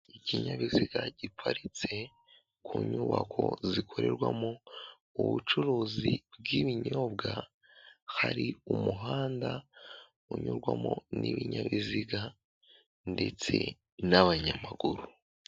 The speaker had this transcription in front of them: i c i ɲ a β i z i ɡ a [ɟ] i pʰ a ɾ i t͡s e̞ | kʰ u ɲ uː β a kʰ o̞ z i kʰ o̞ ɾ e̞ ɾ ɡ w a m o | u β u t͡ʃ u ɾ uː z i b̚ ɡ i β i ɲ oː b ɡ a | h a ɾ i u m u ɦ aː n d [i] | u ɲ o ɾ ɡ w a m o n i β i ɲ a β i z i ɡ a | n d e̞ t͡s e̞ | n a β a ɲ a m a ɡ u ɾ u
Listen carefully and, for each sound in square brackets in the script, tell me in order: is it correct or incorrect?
correct, incorrect: a

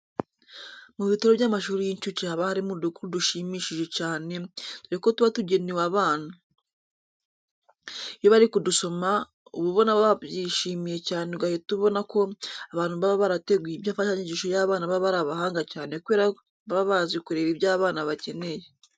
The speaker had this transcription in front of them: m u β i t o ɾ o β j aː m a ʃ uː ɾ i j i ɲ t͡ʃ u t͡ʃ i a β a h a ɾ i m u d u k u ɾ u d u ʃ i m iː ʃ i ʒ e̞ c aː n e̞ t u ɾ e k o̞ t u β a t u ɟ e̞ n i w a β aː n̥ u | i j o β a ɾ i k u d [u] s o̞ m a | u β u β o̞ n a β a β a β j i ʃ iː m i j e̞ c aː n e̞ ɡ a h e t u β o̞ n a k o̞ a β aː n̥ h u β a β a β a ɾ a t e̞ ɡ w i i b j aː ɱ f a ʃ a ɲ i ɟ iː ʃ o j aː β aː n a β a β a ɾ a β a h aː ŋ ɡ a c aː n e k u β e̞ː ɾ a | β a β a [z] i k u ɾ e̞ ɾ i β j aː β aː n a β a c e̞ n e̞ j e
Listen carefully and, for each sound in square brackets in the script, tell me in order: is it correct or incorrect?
correct, correct

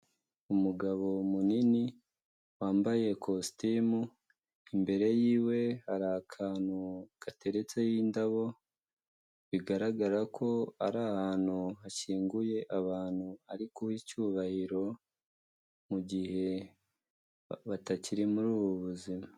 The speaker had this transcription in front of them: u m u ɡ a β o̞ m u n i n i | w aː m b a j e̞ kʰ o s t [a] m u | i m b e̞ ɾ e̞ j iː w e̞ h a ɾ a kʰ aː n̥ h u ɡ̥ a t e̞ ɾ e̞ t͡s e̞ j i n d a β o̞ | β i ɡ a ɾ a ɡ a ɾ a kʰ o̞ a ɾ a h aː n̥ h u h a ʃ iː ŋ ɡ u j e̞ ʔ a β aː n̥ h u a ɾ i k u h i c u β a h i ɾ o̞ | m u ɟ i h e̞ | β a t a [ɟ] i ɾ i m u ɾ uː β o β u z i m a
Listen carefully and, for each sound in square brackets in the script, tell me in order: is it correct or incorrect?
incorrect: i, incorrect: c

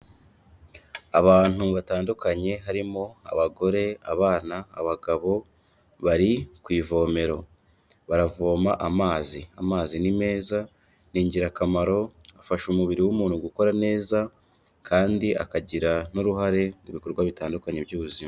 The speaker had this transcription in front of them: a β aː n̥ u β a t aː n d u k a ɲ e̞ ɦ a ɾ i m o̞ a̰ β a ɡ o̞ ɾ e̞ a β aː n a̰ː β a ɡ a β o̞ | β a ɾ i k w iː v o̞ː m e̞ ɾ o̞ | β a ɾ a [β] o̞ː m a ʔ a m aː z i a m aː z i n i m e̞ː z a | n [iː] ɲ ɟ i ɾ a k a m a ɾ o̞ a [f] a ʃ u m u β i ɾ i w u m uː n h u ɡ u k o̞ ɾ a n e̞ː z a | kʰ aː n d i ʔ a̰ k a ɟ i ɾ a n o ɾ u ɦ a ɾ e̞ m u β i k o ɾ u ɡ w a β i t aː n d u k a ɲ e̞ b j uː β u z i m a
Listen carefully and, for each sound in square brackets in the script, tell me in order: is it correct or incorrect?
incorrect: v, correct, correct

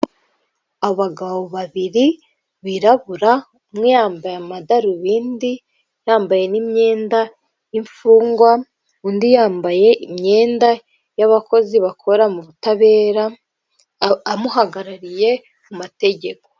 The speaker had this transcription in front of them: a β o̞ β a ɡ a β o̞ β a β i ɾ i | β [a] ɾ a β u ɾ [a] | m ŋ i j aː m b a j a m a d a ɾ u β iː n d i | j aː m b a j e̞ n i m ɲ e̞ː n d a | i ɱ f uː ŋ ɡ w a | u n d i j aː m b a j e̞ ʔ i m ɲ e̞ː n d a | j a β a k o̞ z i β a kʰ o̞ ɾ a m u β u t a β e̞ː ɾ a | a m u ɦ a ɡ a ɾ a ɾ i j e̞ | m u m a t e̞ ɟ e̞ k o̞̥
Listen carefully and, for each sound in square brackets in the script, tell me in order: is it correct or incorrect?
incorrect: i, correct

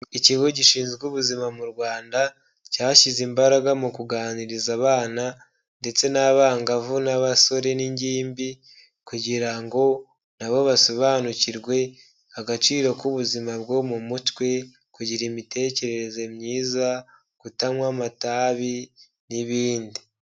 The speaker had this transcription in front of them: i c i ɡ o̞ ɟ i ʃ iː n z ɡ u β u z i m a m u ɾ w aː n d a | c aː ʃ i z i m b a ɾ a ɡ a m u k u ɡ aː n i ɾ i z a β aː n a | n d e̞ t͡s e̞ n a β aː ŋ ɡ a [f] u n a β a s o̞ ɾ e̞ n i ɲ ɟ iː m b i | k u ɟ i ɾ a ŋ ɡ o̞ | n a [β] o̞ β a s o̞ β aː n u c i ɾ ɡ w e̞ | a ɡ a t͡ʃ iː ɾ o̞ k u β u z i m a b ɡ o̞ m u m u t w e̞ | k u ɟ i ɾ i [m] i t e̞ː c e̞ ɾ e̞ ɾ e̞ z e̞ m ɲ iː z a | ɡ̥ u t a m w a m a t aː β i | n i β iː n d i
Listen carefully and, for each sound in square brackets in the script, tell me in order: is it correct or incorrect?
incorrect: v, correct, correct

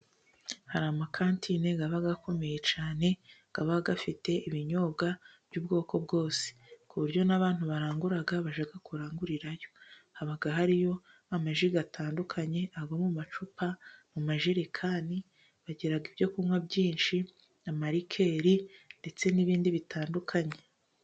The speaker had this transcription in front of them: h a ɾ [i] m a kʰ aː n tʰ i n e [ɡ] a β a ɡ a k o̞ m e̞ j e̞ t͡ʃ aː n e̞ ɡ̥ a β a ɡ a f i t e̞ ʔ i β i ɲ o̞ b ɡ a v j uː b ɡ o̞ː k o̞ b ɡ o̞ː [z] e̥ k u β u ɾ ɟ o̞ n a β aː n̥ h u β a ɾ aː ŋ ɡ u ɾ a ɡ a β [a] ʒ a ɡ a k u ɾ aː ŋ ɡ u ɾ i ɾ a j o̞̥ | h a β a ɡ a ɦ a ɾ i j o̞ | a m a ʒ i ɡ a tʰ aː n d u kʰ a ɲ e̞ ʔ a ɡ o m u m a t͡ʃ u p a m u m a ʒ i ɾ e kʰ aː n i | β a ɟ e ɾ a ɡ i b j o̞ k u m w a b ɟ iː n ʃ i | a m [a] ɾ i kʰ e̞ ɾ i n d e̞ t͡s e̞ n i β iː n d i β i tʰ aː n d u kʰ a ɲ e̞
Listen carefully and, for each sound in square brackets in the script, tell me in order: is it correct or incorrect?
incorrect: a, correct, incorrect: s, correct, correct

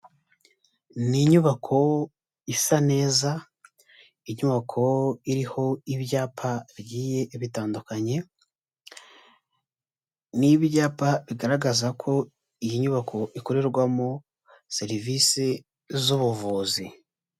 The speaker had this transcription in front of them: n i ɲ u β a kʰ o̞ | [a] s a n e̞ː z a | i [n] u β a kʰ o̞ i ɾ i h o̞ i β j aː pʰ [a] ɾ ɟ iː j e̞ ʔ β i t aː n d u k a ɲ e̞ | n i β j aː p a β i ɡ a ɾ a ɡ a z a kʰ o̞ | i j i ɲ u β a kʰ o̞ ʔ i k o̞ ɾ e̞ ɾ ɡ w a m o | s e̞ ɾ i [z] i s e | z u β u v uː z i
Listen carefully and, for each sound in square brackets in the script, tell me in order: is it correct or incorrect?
incorrect: i, incorrect: ɲ, correct, incorrect: v

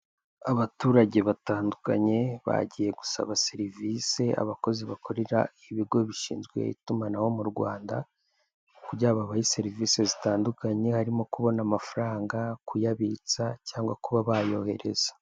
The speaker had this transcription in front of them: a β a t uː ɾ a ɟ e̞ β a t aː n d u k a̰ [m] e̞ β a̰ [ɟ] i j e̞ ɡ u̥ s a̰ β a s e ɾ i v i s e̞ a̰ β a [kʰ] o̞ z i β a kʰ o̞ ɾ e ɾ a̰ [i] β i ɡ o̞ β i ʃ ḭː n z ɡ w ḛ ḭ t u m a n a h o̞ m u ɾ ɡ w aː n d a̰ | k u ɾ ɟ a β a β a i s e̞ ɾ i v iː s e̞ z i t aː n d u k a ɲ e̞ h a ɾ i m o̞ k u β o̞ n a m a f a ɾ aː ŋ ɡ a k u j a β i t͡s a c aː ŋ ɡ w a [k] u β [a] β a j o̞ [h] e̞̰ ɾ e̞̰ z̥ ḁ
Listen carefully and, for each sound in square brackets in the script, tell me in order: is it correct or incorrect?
incorrect: ɲ, correct, incorrect: k, correct, correct, correct, correct

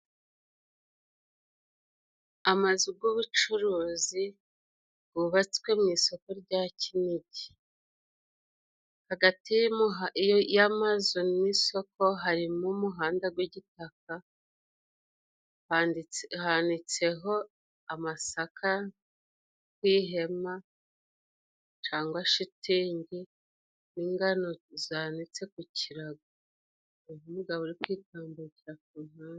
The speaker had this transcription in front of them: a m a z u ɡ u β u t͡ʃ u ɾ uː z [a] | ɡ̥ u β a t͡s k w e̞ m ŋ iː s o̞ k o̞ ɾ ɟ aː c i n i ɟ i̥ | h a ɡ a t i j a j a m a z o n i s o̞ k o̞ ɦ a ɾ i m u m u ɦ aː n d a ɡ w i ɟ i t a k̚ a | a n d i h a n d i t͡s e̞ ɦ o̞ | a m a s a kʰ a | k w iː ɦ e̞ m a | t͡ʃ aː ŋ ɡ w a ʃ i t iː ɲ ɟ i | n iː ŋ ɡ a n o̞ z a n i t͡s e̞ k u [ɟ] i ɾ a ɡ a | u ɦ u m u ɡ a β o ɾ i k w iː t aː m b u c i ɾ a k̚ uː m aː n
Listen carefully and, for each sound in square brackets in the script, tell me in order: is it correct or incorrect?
incorrect: i, incorrect: c

